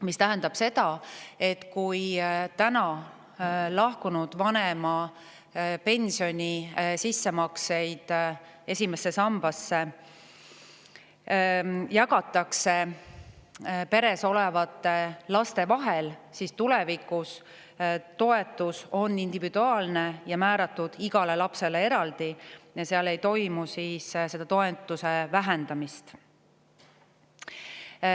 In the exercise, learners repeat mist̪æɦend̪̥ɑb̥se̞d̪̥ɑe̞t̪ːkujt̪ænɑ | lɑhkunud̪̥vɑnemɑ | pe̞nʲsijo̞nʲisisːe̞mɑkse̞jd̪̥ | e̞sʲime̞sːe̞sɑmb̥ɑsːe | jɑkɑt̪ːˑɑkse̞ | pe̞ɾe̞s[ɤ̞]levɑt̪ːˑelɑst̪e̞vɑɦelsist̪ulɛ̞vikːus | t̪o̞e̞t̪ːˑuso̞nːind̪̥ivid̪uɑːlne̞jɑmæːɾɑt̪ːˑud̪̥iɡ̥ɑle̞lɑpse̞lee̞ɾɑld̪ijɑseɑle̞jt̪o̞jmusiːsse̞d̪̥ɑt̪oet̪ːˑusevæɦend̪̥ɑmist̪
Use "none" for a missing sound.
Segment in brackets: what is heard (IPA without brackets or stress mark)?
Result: o̞